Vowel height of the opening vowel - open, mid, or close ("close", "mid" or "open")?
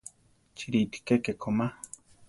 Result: close